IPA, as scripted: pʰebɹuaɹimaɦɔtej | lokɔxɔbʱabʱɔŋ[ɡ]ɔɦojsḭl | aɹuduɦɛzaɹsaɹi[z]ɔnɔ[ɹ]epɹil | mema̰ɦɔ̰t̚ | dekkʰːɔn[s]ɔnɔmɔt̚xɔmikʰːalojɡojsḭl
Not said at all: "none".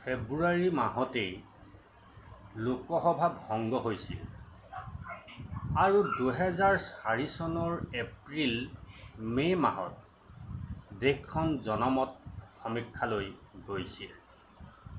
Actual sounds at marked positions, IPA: ɡ, s, ɹ, z

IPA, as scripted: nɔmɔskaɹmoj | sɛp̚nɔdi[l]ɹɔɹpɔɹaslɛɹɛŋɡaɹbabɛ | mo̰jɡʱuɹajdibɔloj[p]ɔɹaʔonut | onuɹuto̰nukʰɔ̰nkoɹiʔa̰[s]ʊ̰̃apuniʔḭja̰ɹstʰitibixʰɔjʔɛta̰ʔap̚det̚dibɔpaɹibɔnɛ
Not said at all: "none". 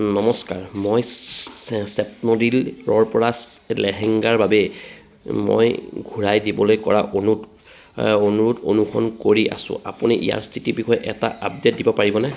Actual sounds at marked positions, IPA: l, k, s

